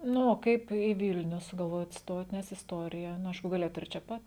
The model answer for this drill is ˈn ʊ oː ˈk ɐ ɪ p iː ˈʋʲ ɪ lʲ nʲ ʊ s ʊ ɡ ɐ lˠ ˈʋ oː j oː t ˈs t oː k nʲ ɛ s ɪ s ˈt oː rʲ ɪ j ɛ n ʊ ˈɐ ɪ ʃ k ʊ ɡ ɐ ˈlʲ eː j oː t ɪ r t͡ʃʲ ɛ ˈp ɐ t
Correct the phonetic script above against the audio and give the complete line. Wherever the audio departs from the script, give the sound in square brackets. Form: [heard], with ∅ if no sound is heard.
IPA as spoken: ˈn ʊ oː ˈk ɐ ɪ p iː ˈʋʲ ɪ lʲ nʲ ʊ s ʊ ɡ ɐ lˠ ˈʋ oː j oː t ˈs t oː [t] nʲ ɛ s ɪ s ˈt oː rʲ ɪ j ɛ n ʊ ˈɐ ɪ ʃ k ʊ ɡ ɐ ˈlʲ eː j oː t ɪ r t͡ʃʲ ɛ ˈp ɐ t